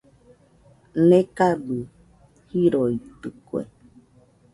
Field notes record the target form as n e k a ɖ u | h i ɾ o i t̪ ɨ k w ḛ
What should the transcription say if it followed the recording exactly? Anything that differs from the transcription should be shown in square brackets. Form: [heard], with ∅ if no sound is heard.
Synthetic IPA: n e k a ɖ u | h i ɾ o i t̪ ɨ k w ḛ